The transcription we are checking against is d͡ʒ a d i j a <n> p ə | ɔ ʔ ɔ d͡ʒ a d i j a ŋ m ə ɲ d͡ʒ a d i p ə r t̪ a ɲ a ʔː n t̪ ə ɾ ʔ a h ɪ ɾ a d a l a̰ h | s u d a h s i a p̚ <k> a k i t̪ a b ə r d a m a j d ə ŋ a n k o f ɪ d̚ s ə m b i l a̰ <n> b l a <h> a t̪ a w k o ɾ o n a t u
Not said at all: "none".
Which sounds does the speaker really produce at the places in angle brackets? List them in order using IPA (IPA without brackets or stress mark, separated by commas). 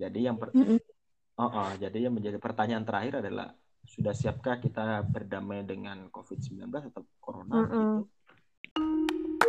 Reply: ŋ, k, n, s